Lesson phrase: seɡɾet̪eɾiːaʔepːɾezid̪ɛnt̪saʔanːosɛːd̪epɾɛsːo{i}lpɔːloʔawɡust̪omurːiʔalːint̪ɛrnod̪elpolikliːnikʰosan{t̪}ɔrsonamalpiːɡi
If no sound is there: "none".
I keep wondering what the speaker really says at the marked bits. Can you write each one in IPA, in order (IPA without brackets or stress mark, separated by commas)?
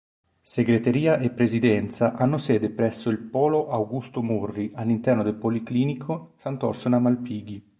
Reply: i, t̪